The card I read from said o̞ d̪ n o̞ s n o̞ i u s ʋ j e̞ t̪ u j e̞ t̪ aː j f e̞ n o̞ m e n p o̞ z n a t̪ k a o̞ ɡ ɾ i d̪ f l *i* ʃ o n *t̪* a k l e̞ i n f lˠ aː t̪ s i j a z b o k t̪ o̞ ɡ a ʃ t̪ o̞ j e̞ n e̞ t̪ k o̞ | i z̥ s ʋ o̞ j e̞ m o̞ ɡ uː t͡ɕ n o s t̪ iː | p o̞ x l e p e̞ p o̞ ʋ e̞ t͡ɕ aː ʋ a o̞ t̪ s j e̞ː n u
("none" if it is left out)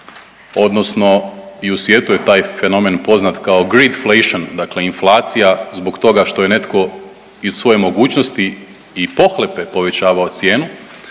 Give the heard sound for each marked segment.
e, d̪

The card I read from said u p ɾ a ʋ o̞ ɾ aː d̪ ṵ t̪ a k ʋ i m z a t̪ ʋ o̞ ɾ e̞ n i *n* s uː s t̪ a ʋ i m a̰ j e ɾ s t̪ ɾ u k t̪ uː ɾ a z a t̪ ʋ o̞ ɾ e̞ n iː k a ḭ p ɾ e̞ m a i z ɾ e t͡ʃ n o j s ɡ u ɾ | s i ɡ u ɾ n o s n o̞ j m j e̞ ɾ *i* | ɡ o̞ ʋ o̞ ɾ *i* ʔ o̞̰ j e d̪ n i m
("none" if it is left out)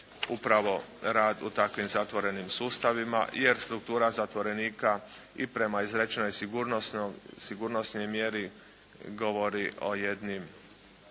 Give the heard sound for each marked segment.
m, i, i

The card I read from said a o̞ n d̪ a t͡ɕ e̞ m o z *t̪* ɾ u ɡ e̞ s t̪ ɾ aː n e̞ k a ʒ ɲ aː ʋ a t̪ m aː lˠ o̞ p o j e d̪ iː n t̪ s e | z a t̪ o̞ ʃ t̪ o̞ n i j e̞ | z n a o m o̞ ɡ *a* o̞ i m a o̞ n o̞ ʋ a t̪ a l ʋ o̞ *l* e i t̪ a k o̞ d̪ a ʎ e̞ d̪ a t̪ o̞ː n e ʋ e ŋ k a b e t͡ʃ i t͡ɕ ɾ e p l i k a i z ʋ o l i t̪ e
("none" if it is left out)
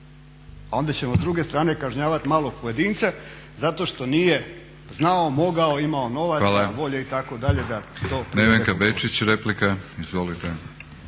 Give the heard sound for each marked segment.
d̪, a, ʎ

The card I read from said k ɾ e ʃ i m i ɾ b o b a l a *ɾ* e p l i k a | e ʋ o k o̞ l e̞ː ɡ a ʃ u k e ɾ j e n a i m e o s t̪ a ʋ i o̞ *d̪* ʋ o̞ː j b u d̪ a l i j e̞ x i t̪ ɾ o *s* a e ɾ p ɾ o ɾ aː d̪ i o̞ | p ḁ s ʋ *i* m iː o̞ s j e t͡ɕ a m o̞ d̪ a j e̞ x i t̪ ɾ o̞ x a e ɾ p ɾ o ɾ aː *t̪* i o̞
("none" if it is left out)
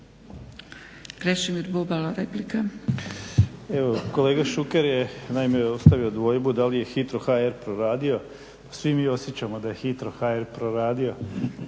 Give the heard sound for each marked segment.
ɾ, d̪, x, i, d̪

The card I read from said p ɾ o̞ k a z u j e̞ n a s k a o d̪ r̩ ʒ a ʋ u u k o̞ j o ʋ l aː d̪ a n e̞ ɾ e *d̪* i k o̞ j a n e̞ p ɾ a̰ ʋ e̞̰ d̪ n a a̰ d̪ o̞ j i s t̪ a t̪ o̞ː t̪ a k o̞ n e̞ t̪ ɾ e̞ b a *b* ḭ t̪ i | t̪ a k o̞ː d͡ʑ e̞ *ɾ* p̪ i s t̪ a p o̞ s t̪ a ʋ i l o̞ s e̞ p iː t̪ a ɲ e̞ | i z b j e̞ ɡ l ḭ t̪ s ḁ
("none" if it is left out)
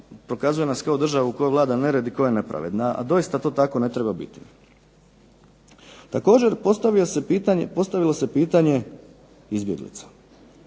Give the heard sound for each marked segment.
d̪, b, ɾ

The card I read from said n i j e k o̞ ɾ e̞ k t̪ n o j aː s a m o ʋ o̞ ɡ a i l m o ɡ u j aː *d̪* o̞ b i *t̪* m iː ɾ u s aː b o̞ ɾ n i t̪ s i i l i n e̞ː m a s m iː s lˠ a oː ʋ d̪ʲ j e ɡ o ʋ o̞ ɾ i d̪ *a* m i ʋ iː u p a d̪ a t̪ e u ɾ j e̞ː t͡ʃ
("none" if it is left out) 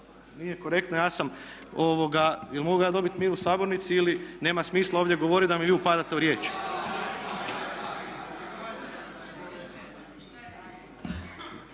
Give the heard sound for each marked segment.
d̪, t̪, a

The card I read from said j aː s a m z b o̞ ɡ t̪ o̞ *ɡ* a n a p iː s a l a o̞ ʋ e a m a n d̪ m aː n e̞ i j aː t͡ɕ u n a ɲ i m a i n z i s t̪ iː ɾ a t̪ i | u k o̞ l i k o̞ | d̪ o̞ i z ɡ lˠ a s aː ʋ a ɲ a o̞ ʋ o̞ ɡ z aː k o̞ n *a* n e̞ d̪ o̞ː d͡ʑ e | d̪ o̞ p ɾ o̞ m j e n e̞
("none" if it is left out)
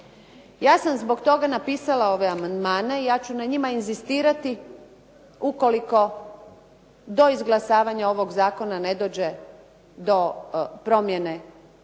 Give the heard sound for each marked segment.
ɡ, a

